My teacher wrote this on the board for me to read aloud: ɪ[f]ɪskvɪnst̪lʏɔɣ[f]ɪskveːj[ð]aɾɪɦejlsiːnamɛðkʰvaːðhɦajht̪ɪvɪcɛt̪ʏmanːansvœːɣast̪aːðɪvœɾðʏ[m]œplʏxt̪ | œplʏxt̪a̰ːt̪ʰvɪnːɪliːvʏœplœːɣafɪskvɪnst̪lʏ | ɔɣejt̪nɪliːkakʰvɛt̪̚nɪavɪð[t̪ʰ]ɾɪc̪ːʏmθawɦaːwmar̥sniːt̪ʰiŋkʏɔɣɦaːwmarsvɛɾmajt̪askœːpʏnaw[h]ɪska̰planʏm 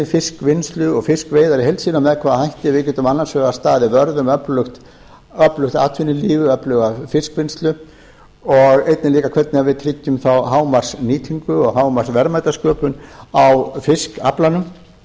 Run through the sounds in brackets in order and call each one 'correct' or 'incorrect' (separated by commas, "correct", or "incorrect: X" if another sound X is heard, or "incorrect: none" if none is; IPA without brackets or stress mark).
correct, correct, correct, correct, correct, incorrect: f